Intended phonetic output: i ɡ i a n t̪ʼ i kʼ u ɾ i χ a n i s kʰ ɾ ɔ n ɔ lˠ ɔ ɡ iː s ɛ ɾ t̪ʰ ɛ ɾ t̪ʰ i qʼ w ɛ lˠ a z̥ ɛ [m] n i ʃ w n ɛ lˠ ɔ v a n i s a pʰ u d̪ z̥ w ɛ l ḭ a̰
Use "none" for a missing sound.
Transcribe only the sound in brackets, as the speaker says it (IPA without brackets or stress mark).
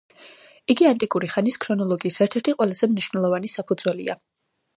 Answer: m